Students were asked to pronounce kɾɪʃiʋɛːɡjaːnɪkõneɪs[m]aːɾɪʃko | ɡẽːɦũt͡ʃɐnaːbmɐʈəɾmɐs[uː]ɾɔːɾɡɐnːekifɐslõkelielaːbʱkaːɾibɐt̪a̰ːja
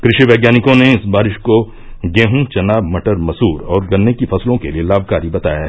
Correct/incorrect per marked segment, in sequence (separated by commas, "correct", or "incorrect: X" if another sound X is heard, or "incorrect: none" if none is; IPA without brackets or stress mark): incorrect: b, correct